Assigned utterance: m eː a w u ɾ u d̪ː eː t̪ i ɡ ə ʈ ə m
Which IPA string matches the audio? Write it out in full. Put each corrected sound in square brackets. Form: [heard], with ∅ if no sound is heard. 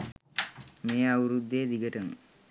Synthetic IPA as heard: m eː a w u ɾ u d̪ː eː [d̪] i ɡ ə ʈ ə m